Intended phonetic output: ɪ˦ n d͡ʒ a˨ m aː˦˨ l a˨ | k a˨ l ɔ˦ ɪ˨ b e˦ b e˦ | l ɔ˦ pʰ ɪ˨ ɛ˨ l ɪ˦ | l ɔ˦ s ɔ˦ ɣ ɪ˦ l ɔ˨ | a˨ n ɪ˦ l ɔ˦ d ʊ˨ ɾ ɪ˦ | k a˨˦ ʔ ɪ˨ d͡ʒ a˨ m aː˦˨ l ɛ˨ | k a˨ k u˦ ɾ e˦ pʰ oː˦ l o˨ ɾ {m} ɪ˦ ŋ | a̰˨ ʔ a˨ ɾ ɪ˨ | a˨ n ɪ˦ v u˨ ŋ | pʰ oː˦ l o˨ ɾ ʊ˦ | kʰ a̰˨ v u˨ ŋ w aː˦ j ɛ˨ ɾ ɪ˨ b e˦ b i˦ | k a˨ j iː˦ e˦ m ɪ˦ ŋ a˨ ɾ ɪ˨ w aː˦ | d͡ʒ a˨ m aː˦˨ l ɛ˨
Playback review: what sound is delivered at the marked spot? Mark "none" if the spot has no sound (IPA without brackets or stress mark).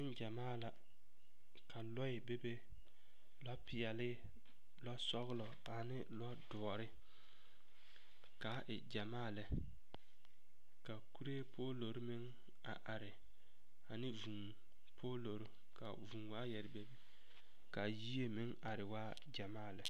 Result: m